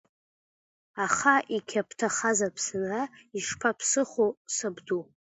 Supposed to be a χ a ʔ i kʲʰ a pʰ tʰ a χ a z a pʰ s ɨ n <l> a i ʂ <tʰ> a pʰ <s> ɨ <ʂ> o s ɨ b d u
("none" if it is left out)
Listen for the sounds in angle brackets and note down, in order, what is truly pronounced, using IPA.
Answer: r, pʰ, s, χ

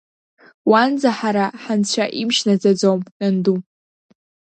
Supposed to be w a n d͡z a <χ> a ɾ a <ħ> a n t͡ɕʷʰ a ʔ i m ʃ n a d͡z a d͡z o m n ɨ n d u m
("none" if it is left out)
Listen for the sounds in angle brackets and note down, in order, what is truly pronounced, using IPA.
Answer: ħ, ħ

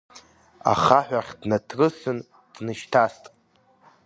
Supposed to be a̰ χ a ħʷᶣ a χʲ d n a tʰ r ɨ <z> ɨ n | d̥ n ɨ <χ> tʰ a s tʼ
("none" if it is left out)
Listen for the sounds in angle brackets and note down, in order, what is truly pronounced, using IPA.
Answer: s, ʃ

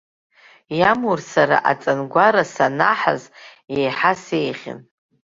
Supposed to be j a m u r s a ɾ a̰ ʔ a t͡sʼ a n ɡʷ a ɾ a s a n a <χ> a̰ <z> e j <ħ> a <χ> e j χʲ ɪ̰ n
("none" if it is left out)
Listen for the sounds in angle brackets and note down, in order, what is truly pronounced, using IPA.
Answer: ħ, z, ħ, s

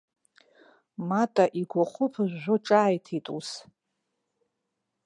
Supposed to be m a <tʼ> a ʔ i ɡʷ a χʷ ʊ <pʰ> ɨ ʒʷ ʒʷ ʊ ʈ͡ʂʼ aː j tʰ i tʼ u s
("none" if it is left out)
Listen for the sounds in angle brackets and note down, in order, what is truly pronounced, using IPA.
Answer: tʼ, pʰ

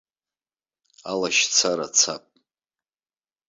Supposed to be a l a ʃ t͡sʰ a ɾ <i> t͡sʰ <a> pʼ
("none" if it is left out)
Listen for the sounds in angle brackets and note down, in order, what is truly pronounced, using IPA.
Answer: a, a

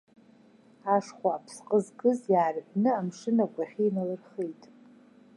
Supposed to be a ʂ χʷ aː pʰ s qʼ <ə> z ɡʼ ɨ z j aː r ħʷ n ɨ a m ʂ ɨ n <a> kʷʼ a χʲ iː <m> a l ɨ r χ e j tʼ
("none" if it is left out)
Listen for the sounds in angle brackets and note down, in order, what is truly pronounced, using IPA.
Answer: ə, a, n

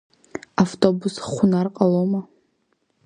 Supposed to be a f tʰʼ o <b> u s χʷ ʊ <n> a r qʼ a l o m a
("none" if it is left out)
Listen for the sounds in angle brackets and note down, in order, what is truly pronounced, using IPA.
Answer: b, n

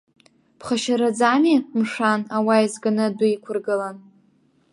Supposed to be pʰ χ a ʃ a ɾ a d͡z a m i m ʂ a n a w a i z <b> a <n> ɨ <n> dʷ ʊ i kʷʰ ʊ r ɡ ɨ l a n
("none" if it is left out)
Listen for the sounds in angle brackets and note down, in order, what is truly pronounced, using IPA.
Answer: ɡ, n, none

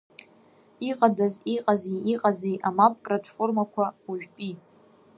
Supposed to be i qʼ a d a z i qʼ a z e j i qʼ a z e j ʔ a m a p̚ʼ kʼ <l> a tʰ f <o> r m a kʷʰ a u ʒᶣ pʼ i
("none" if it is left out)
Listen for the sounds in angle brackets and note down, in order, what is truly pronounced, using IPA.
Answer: r, o

